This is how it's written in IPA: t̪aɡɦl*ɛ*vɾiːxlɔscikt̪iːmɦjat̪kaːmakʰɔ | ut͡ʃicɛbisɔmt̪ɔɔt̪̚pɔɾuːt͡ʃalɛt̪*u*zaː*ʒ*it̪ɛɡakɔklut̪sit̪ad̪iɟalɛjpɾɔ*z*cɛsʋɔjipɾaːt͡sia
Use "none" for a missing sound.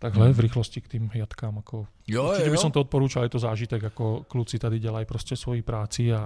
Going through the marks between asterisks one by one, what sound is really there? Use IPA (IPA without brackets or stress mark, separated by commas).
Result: ɛ, ɔ, ʒ, s